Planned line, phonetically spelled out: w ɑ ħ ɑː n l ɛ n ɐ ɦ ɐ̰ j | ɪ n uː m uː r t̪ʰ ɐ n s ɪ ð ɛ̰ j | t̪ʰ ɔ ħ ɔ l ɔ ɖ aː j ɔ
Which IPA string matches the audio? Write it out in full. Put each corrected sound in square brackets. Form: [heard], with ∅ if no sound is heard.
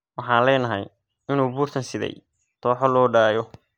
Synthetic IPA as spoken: w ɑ ħ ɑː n l [ɛː] n ɐ ɦ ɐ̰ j | ɪ n uː [b] uː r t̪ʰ ɐ n s ɪ ð ɛ̰ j | t̪ʰ [ɔː] ħ ɔ l [ɔː] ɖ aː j ɔ